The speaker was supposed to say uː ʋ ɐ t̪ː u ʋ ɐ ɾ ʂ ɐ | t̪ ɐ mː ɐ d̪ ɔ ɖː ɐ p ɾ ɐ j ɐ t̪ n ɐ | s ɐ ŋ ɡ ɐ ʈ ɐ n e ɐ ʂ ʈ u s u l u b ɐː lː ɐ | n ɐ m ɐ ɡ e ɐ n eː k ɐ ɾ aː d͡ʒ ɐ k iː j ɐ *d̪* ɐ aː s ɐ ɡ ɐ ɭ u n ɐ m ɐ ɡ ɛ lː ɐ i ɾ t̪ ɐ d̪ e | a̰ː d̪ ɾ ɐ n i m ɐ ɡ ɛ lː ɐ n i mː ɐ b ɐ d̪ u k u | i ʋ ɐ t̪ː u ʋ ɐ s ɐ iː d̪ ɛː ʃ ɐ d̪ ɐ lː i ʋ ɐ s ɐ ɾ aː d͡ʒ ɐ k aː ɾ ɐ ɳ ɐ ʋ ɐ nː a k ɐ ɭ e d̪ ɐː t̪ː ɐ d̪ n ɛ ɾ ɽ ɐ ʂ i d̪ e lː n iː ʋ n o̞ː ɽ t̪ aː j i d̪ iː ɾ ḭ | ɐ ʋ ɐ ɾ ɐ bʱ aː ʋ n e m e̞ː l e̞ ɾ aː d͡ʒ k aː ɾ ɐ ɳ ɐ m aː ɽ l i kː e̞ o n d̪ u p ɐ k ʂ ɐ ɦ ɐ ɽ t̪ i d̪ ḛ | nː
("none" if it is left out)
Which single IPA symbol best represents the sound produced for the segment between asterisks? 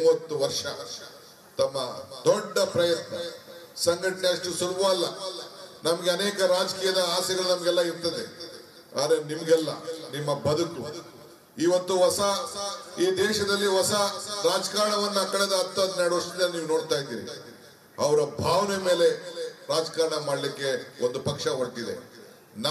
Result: d̪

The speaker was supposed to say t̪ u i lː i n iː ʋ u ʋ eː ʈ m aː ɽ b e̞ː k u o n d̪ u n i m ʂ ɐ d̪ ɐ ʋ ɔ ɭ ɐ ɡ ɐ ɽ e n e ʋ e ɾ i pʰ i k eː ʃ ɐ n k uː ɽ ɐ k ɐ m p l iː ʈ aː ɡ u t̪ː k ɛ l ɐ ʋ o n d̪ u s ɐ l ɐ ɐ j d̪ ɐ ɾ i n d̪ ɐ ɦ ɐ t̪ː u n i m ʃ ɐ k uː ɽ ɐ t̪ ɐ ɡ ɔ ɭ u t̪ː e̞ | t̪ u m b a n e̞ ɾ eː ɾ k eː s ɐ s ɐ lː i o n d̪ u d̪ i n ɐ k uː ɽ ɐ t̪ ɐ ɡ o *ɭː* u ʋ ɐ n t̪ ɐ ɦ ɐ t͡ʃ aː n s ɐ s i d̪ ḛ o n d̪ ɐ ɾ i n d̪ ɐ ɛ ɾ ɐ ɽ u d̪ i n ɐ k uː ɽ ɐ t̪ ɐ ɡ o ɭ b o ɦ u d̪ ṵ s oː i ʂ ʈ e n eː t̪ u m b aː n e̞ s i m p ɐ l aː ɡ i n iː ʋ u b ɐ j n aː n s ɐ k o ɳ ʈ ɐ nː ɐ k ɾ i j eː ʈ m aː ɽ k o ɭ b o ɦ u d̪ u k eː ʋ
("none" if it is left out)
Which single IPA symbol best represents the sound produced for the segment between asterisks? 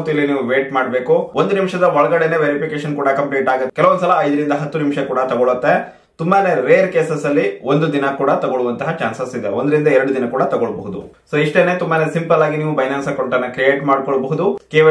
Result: ɭ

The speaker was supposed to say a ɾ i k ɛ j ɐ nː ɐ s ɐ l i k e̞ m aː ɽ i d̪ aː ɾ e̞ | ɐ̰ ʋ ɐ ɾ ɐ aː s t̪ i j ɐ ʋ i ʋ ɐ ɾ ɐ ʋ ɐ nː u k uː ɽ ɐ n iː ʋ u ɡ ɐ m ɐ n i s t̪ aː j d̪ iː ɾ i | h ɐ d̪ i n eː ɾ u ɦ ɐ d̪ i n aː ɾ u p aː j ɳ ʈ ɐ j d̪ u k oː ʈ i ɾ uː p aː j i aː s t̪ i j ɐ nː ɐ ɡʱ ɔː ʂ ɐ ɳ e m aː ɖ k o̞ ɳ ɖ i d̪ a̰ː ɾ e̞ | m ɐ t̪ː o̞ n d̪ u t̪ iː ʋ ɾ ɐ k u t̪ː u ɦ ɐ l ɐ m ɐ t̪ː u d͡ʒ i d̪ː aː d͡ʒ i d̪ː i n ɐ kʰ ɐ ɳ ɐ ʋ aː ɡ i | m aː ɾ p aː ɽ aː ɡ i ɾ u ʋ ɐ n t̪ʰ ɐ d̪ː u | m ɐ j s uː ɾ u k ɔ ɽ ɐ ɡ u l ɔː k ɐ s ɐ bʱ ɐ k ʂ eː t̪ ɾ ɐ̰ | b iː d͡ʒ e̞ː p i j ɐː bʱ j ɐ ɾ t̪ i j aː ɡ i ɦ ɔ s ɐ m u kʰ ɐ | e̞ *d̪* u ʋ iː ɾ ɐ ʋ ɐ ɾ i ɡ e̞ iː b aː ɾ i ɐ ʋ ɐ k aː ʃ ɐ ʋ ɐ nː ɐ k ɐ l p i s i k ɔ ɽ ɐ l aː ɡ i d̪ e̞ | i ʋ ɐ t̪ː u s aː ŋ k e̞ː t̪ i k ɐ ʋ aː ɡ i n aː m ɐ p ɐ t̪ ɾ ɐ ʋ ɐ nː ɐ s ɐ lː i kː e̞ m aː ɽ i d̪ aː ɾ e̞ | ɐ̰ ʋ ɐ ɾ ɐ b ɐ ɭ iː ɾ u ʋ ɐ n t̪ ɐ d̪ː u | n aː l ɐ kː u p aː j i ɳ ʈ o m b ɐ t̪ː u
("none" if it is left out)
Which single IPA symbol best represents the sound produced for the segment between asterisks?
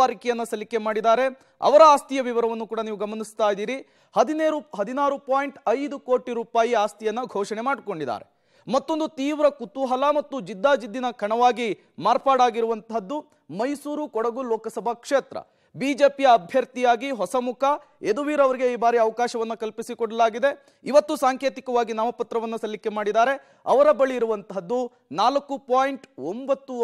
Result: d̪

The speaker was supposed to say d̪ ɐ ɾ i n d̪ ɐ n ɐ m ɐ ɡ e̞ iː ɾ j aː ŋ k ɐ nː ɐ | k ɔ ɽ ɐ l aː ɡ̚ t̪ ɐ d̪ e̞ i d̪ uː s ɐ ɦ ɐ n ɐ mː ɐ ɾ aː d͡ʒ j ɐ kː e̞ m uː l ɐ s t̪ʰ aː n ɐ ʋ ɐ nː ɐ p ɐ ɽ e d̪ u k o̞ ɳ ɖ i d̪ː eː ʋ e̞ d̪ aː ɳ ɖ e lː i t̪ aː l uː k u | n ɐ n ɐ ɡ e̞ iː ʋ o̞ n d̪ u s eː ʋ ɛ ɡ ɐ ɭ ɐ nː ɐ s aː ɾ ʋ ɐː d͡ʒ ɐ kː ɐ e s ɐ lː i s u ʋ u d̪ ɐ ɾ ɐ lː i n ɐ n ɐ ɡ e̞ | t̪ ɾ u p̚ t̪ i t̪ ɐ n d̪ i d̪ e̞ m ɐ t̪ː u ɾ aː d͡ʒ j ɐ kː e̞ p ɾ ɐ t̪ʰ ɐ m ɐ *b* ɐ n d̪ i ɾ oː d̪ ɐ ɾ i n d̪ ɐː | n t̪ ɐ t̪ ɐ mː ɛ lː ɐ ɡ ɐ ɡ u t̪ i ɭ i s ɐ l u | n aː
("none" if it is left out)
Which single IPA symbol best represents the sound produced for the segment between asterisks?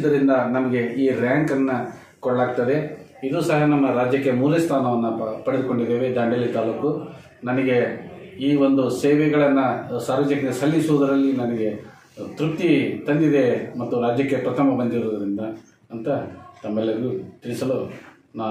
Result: b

